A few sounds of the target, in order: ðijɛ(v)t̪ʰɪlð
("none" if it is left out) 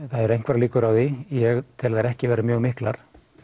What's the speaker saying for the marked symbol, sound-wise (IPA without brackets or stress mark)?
ɣ